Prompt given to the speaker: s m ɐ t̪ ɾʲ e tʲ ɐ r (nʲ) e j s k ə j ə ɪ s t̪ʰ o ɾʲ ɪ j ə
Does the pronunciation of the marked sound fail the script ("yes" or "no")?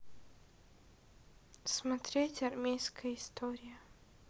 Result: yes